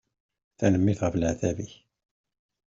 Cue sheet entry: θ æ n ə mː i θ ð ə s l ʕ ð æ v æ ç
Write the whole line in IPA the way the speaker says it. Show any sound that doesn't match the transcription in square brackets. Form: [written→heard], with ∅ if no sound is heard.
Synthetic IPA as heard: θ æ n ə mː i θ [ð→ʁ] ə [s→f] l ʕ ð æ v [æ→i] ç